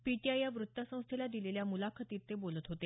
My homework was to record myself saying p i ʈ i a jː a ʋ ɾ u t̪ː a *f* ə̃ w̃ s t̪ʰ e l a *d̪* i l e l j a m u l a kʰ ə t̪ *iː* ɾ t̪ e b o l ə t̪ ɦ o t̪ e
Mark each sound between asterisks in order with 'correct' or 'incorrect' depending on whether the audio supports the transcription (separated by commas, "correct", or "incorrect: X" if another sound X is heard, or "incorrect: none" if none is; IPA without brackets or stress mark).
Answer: incorrect: s, correct, correct